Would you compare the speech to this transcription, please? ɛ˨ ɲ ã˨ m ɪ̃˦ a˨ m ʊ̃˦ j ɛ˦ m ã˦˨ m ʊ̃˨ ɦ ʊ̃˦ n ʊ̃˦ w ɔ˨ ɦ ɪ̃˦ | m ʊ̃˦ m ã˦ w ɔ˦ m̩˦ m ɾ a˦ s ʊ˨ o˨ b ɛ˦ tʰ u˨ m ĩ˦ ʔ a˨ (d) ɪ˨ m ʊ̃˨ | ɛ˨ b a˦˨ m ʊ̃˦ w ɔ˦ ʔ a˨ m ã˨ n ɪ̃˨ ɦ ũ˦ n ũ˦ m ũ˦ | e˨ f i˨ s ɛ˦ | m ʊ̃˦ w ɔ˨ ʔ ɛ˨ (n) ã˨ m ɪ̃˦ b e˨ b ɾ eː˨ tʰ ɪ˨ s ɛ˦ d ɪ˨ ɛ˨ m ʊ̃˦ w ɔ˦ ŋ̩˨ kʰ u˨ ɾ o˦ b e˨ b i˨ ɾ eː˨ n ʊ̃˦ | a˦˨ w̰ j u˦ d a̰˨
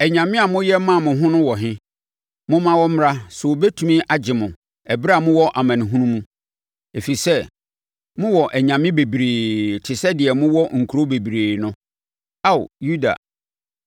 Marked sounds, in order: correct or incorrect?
incorrect, incorrect

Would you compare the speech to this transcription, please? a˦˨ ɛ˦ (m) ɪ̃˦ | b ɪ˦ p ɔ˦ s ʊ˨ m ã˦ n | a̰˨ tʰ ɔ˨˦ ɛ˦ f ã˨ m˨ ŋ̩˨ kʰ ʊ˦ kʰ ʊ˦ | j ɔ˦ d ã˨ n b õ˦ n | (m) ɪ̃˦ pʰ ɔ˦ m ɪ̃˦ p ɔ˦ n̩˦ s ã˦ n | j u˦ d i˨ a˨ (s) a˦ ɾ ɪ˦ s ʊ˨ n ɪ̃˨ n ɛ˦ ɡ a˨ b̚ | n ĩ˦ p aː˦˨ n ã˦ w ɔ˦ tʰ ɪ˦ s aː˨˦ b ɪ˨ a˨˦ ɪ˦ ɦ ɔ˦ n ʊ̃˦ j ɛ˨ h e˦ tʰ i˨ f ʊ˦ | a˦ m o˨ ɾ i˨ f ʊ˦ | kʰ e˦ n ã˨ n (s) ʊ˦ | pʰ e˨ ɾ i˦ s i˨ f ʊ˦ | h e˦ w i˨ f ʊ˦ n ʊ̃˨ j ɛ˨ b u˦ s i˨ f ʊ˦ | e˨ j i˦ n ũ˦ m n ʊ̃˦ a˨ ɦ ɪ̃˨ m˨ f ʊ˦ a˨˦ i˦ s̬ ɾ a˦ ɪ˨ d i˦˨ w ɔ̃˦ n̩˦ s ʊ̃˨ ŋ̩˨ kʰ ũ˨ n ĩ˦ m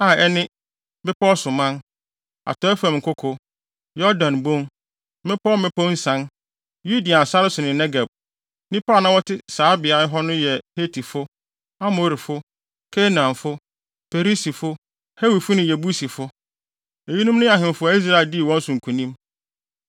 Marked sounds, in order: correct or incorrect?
incorrect, correct, correct, incorrect

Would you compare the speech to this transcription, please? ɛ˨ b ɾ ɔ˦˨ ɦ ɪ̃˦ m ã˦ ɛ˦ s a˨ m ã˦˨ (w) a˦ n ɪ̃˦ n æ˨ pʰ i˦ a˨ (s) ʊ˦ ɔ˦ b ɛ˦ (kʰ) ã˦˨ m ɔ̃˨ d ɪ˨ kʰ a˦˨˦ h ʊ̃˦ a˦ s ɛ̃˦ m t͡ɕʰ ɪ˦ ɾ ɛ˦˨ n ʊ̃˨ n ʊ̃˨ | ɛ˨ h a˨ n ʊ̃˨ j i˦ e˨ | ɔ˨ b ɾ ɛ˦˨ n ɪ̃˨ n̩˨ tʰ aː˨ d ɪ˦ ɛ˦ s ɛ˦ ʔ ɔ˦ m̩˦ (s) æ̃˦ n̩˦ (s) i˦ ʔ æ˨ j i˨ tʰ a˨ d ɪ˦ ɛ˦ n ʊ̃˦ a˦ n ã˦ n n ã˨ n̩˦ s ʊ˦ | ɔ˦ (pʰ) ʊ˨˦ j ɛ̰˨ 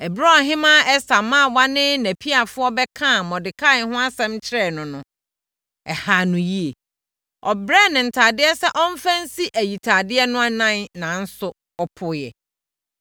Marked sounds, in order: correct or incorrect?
correct, incorrect, correct, incorrect, correct, correct

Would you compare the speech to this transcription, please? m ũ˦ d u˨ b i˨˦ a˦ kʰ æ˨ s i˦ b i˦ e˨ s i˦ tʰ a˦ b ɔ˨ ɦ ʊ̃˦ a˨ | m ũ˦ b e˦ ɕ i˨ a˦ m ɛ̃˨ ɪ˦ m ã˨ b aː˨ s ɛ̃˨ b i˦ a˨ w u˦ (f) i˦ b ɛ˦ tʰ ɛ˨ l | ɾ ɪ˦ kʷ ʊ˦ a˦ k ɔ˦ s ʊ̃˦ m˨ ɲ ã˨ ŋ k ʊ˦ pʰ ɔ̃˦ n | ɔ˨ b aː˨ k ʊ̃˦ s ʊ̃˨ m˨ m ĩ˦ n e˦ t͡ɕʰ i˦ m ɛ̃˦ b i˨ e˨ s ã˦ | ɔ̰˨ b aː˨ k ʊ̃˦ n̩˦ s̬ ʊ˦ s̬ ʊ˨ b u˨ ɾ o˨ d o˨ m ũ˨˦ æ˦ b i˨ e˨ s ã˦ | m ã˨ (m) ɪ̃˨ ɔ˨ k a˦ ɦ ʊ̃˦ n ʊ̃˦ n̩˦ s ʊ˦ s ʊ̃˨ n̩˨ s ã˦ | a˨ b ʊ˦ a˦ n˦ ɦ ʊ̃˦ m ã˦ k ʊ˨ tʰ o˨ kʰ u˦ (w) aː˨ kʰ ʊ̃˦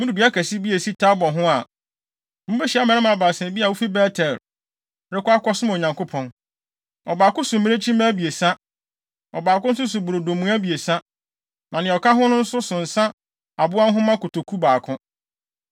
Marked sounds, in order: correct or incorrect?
correct, incorrect, incorrect

